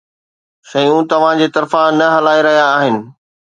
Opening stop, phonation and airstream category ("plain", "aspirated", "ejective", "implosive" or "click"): plain